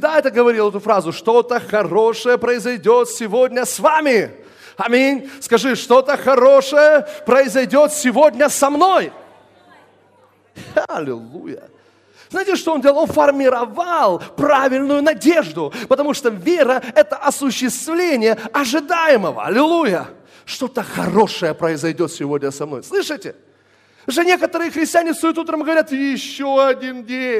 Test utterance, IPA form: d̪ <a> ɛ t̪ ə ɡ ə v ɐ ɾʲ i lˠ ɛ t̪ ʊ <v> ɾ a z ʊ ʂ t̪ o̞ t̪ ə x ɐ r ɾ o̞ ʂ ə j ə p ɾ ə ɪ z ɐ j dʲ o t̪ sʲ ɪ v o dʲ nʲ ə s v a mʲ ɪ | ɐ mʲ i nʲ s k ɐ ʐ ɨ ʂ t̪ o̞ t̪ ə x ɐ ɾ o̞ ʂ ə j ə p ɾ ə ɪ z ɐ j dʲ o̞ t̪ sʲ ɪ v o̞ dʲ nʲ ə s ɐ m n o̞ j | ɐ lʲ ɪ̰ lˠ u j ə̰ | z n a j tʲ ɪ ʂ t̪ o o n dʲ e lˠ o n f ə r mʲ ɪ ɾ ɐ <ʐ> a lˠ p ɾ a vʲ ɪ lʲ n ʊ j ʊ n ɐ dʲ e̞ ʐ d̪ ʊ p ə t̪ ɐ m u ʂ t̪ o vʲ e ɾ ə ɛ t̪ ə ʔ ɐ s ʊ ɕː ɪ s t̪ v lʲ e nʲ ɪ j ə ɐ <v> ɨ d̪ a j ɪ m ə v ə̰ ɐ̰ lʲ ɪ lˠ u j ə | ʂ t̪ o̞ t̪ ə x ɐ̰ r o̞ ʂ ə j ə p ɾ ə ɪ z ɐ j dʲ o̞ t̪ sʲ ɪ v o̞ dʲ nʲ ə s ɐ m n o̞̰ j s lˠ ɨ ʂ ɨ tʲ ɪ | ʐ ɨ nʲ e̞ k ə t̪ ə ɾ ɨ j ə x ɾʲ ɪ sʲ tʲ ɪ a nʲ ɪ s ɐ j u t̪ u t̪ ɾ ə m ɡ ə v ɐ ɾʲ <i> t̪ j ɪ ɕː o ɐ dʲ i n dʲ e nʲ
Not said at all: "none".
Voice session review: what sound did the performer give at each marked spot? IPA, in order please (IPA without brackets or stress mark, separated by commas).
a, f, v, ʐ, a